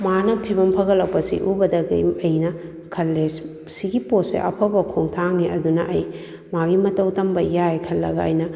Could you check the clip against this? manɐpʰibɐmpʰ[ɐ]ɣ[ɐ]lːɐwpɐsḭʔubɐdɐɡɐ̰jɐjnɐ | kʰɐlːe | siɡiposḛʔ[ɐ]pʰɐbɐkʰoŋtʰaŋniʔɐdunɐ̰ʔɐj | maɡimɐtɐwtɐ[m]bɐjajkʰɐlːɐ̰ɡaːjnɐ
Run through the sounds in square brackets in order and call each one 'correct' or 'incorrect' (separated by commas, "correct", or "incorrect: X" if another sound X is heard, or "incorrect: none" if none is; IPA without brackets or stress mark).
correct, correct, correct, correct